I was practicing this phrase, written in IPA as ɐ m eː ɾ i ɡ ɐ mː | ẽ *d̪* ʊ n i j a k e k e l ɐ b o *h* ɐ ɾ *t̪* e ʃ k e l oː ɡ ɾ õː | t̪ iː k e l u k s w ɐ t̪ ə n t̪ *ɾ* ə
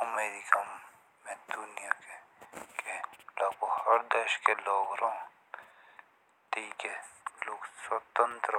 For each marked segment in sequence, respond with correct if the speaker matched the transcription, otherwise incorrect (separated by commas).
correct, correct, incorrect, correct